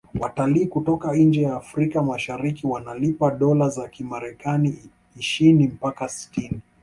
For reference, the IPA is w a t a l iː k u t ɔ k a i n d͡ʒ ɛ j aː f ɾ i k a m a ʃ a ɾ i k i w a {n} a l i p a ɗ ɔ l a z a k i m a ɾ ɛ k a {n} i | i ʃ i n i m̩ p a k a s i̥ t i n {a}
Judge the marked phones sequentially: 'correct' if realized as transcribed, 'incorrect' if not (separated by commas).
correct, correct, incorrect